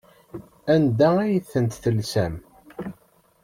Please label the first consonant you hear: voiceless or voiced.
voiced